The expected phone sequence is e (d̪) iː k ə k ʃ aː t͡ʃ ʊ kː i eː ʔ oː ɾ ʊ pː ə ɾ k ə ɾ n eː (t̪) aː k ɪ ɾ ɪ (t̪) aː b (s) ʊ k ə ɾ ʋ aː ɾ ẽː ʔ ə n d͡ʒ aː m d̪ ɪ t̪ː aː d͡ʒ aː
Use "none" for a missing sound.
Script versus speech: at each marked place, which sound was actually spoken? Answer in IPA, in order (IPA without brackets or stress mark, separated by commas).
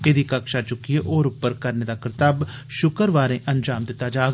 d̪, d̪, t̪, ʃ